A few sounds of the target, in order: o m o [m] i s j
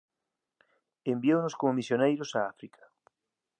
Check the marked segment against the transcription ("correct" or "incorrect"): correct